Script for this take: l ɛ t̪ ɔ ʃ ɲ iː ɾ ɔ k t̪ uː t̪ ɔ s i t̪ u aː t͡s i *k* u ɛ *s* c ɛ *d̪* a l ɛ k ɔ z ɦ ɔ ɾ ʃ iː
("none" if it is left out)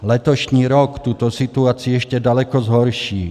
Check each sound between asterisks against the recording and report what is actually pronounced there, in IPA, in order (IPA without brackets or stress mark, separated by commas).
none, ʃ, d̪